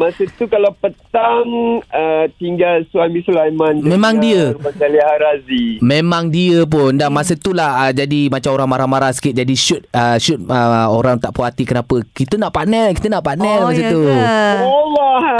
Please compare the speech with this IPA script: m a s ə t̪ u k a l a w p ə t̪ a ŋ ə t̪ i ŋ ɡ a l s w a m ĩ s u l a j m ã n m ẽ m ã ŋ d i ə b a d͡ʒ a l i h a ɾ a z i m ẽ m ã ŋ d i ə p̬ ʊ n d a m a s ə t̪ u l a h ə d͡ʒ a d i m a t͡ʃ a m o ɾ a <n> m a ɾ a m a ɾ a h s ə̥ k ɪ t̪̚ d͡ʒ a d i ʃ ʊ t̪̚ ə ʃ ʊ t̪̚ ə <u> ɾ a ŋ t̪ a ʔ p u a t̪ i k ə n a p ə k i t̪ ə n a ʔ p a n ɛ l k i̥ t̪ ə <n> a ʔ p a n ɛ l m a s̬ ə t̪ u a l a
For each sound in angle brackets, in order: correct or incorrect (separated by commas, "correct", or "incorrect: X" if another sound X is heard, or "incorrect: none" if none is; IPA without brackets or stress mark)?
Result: incorrect: ŋ, incorrect: o, correct